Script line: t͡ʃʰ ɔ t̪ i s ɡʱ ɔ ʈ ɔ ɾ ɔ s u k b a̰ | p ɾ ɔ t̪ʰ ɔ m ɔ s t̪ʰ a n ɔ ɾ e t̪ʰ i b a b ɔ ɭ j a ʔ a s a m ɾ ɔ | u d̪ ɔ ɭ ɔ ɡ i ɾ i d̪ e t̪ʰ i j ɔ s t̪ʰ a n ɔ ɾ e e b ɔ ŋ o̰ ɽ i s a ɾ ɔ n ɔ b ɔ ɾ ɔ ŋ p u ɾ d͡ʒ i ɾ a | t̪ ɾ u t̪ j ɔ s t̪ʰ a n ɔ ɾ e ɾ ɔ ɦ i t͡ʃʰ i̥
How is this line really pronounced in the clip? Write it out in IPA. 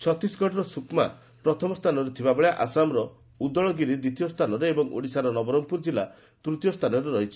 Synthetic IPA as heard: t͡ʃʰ ɔ t̪ i s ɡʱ ɔ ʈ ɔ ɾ ɔ s u k m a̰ | p ɾ ɔ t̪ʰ ɔ m ɔ s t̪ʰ a n ɔ ɾ e t̪ʰ i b a b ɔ ɭ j a ʔ a s a m ɾ ɔ | u d̪ ɔ ɭ ɔ ɡ i ɾ i d̪ i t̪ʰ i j ɔ s t̪ʰ a n ɔ ɾ e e b ɔ ŋ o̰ ɽ i s a ɾ ɔ n ɔ b ɔ ɾ ɔ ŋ p u ɾ d͡ʒ i l a | t̪ ɾ u t̪ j ɔ s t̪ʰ a n ɔ ɾ e ɾ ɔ ɦ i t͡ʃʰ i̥